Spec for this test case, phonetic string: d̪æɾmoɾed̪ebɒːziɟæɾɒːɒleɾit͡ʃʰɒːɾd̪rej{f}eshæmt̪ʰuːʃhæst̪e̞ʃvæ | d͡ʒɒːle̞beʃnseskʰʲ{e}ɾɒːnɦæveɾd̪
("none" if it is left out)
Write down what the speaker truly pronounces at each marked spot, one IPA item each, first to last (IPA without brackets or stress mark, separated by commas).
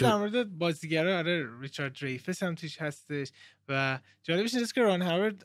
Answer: f, e